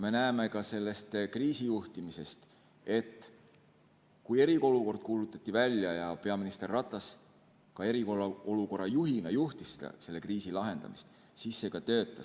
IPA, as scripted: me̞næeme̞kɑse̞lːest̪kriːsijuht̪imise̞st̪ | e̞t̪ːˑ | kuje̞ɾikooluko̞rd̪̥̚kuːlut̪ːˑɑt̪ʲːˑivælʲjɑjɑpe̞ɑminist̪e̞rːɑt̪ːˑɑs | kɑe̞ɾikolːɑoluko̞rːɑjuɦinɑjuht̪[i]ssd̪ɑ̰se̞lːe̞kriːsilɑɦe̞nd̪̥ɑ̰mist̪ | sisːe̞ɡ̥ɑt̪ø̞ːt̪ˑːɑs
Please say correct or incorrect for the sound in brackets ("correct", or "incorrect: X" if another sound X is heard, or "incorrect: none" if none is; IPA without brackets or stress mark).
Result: correct